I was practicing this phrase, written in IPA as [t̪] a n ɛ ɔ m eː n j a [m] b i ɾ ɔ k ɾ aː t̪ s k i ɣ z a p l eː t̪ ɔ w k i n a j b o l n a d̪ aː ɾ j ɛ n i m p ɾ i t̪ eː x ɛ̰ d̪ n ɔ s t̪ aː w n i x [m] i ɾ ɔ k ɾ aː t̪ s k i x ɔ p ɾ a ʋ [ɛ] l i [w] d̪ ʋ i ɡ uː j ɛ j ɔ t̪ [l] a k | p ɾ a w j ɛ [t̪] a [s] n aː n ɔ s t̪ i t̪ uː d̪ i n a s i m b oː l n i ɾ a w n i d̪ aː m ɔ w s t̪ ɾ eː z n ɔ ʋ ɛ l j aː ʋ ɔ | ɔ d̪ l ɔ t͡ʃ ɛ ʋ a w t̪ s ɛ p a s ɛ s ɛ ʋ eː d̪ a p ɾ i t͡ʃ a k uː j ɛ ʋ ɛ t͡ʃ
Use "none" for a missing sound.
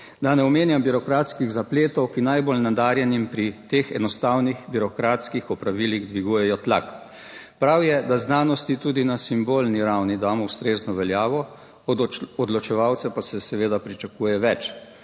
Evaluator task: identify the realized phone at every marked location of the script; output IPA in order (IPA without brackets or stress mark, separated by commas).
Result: d̪, m, b, i, ɣ, l, d̪, z